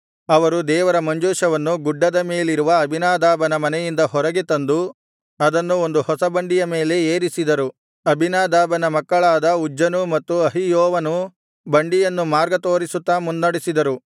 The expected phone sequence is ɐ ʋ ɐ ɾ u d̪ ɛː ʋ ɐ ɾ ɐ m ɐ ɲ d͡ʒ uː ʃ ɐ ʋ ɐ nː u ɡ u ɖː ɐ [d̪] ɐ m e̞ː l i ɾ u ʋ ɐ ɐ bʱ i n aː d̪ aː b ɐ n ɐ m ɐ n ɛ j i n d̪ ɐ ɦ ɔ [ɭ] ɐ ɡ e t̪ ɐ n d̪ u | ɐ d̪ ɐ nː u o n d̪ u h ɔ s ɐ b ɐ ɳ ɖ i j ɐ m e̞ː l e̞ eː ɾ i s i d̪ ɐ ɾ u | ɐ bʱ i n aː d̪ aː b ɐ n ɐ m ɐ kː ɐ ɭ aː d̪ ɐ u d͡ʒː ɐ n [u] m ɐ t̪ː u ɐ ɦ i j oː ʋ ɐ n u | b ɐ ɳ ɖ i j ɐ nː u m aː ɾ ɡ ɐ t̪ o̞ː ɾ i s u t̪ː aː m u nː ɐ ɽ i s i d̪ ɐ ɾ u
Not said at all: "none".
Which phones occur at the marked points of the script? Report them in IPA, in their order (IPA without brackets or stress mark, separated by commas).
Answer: d̪, ɾ, u